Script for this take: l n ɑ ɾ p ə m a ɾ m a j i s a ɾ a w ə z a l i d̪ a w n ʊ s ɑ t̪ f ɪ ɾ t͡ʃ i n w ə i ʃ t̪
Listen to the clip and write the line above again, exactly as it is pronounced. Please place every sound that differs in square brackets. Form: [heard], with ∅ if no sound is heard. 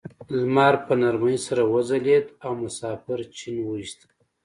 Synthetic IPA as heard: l [m] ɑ ɾ p ə [n] a ɾ m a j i s a ɾ a w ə z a l [e] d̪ a w [m] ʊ s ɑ [∅] f ɪ ɾ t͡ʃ i n w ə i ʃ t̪